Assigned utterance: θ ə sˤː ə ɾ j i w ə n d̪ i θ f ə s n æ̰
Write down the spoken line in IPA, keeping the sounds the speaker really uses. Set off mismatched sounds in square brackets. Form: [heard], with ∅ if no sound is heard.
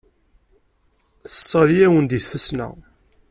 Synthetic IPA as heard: θ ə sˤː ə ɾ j [æ] w ə n d̪ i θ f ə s n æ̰

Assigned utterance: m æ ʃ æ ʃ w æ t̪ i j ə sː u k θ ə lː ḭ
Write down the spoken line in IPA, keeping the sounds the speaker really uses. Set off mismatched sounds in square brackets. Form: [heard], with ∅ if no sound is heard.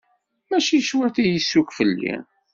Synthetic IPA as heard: m æ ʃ [i] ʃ w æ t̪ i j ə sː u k [f] ə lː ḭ

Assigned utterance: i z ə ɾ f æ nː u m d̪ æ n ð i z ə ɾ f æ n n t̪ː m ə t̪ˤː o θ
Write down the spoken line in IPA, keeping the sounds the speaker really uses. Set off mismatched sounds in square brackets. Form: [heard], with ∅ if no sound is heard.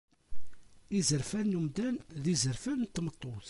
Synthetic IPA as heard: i z ə ɾ f æ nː u m d̪ æ n ð i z ə ɾ f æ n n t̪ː m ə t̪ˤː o θ

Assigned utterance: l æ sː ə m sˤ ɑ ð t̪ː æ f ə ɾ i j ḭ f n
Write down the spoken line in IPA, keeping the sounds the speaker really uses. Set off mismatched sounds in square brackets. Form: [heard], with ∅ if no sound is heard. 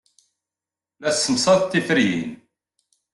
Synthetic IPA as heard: l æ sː ə m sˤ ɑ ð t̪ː [i] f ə ɾ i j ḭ [∅] n

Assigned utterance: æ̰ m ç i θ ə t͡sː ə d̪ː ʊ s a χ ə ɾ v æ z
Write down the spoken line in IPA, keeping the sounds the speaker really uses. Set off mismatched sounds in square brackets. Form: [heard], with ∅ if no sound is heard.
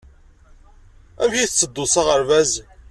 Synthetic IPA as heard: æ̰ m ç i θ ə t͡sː ə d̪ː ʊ s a [ʁ] ə ɾ v æ z

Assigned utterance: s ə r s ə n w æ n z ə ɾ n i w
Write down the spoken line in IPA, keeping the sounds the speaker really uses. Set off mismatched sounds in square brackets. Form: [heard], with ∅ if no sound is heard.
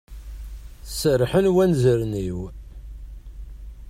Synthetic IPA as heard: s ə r [ħ] ə n w æ n z ə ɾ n i w

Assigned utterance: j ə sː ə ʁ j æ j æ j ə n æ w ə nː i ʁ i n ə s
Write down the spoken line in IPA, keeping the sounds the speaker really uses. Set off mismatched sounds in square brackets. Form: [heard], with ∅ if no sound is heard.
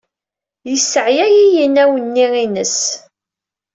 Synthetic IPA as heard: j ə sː ə [ʕ] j æ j [i] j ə n æ w ə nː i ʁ i n ə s

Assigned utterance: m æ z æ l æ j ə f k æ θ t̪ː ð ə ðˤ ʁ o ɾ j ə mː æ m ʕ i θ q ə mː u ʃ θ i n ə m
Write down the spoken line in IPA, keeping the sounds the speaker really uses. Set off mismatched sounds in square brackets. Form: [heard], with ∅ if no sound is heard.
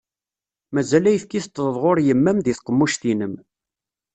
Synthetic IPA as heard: m æ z æ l æ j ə f k [i] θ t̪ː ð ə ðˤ ʁ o ɾ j ə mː æ m [ð] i θ q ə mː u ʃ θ i n ə m

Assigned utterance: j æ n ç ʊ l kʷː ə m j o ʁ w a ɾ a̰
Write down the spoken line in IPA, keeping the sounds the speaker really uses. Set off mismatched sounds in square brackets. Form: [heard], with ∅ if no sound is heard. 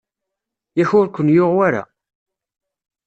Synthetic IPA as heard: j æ [∅] ç ʊ [ɾ] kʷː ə [n] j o ʁ w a ɾ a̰

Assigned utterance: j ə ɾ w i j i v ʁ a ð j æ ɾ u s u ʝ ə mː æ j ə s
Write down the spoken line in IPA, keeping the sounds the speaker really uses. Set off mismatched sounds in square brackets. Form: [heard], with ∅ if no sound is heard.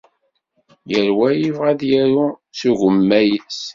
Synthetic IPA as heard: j ə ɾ w [æ] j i v ʁ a ð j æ ɾ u s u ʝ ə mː æ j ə s

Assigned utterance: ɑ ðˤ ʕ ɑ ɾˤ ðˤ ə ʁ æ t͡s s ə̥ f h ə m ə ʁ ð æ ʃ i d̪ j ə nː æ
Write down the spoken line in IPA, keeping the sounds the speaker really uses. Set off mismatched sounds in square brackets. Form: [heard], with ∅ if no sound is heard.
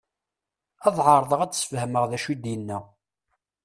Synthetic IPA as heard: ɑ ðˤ ʕ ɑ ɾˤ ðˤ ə ʁ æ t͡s s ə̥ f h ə m ə ʁ ð æ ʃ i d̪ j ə nː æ

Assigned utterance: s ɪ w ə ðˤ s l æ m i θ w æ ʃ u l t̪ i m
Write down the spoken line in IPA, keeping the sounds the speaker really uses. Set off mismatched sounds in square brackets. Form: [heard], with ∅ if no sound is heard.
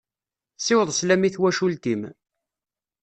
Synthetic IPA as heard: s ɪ w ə ðˤ s l æ m i θ w æ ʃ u l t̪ i m

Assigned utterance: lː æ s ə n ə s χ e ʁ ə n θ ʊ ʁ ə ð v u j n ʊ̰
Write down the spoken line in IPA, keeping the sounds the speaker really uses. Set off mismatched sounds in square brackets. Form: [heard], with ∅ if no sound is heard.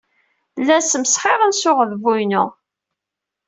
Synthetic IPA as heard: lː æ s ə [m] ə s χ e ʁ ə n [s] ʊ ʁ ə ð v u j n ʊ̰

